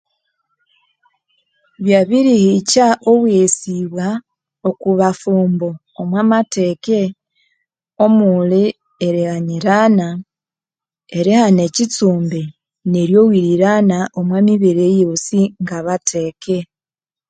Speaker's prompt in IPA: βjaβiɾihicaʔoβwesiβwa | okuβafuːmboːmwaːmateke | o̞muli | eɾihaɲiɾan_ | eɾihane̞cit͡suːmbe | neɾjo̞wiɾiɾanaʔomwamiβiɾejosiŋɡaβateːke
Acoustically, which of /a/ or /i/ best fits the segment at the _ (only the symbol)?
a